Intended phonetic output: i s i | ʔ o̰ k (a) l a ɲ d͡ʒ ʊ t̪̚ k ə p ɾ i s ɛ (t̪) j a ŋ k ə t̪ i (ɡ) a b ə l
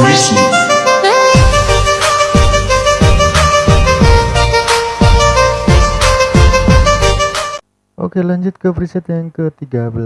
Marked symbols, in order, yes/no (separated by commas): no, yes, yes